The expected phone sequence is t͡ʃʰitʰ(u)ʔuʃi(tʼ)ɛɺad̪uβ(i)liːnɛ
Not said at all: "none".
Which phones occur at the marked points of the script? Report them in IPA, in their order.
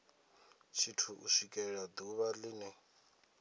u, kʼ, a

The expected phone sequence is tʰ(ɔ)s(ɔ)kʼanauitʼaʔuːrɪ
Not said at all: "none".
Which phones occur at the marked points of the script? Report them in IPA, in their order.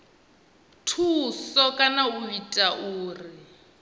u, ɔ

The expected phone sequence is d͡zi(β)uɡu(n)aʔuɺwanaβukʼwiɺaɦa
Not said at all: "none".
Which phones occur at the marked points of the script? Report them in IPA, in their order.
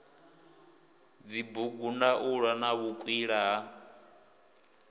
b, n

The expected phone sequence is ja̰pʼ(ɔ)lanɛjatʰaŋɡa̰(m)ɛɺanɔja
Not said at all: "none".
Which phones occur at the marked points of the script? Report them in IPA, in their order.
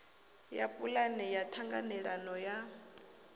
u, n

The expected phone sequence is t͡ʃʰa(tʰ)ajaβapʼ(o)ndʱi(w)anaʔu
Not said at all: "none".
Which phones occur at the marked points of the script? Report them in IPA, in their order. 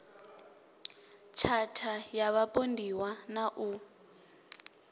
tʰ, o, w

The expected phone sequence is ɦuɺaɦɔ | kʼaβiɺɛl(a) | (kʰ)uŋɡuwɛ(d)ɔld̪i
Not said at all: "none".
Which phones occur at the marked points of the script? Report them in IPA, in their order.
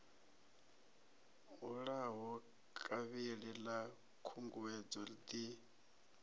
a, kʰ, d͡z

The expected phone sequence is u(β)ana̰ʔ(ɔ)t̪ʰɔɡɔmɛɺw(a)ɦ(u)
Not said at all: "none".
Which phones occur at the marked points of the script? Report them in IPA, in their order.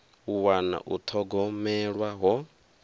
w, u, a, ɔ

